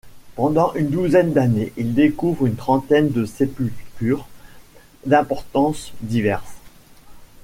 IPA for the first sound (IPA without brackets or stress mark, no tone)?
p